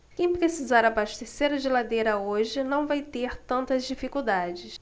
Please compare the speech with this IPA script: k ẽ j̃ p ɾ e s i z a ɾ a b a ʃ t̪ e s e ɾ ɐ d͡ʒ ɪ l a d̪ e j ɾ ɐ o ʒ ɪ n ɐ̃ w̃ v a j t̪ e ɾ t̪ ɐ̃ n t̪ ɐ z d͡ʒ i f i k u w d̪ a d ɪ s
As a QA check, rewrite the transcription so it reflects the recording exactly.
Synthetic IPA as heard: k ẽ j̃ p ɾ e s i z a ɾ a b a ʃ t̪ e s e ɾ ɐ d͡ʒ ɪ l a d̪ e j ɾ ɐ o ʒ ɪ n ɐ̃ w̃ v a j t̪ e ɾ t̪ ɐ̃ n t̪ ɐ z d͡ʒ i f i k u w d̪ a d͡ʒ ɪ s